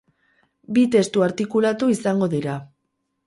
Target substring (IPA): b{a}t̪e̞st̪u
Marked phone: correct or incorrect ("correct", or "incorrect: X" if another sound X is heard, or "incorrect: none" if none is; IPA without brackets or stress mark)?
incorrect: i